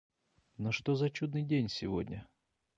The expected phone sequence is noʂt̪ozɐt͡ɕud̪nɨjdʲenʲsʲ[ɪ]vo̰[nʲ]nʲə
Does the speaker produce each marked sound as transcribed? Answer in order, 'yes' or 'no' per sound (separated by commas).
yes, no